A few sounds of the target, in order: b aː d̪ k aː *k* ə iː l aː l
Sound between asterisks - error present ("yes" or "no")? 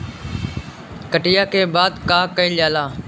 no